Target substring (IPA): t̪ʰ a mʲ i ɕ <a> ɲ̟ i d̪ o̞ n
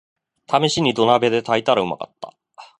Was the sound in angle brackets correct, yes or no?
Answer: no